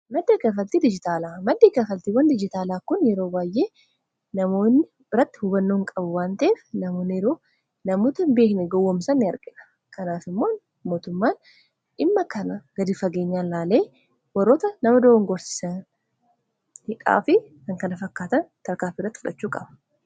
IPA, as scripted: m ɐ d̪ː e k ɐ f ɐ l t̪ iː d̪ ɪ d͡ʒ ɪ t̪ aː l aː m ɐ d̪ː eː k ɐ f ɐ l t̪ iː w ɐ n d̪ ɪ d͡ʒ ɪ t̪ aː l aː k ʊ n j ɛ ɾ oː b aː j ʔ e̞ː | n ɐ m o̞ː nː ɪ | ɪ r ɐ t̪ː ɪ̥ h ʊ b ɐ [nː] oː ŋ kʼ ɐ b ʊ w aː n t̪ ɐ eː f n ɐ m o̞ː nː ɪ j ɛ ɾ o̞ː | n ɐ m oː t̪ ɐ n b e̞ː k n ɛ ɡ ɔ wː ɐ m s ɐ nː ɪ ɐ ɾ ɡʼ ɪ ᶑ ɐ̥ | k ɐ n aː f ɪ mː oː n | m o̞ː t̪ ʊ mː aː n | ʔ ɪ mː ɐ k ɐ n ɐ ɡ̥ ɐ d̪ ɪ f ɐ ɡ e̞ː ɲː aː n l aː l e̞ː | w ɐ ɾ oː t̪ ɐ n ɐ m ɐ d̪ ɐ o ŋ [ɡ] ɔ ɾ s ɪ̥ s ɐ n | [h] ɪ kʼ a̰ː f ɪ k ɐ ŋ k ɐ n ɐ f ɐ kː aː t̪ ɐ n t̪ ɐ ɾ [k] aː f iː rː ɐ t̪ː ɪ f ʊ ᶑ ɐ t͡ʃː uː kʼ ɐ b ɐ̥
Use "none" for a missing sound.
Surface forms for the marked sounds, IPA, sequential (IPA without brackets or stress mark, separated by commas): nː, ɡ, h, k